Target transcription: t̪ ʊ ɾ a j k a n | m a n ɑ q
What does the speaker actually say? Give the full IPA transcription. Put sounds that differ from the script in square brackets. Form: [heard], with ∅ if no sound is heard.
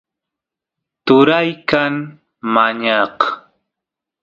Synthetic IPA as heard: t̪ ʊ ɾ a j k a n | m a [ɲ] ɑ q